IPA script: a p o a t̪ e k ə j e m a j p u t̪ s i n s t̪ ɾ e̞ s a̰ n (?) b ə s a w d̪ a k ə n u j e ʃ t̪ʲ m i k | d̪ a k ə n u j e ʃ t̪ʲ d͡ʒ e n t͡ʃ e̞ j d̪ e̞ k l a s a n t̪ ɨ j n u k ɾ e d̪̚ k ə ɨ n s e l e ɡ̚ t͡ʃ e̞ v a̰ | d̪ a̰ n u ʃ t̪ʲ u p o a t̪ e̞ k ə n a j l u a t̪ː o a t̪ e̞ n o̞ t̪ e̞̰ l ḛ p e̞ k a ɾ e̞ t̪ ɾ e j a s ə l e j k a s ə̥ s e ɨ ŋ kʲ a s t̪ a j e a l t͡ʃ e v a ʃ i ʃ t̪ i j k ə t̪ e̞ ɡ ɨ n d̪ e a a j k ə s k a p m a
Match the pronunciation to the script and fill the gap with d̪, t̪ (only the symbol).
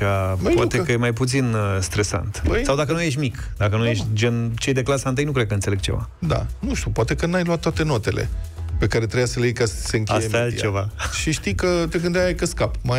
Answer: t̪